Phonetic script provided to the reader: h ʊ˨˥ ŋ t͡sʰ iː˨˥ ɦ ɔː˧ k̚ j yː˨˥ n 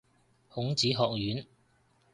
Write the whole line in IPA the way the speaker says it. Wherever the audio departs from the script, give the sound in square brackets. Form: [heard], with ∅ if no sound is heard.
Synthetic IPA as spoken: h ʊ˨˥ ŋ [t͡s] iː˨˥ ɦ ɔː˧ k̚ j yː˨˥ n